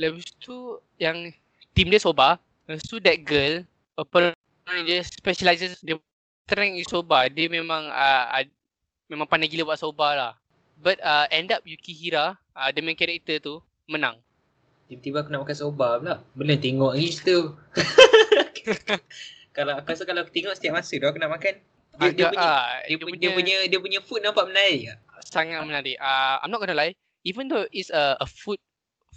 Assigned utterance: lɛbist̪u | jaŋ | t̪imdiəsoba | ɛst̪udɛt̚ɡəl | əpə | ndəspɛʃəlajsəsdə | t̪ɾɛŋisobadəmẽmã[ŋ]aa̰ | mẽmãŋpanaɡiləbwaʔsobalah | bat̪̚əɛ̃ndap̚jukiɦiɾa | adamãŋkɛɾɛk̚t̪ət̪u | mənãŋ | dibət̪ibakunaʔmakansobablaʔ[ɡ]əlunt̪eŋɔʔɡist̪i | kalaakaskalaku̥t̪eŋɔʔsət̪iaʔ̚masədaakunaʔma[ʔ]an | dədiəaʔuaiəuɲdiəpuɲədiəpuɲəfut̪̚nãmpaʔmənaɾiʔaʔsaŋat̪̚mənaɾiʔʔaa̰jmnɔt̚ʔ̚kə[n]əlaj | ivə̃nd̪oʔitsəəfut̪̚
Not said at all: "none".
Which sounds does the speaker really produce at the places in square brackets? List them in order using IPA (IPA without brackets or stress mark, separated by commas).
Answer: ŋ, b, k, n